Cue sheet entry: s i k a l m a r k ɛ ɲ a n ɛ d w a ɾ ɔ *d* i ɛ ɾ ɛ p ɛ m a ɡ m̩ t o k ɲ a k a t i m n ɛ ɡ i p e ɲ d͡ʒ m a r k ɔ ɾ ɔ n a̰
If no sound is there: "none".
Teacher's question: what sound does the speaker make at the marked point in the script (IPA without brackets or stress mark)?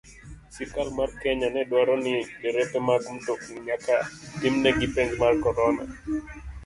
n